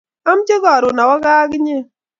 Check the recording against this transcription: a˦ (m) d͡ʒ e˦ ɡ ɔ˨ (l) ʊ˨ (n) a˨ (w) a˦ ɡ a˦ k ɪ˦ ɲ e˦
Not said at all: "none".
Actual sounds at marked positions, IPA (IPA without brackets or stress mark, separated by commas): m, ɾ, n, w